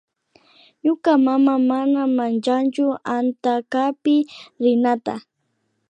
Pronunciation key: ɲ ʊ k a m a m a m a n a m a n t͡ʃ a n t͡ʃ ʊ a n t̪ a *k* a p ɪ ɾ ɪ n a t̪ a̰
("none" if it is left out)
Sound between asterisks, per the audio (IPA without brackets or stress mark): k